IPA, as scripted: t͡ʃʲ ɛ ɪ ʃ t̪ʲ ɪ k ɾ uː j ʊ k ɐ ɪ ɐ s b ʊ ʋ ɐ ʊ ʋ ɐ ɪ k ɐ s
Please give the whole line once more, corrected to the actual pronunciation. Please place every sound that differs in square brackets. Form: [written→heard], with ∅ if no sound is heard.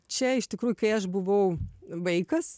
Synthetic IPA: t͡ʃʲ ɛ ɪ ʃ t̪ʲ ɪ k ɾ uː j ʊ k ɐ ɪ ɐ [s→ʃ] b ʊ ʋ ɐ ʊ ʋ ɐ ɪ k ɐ s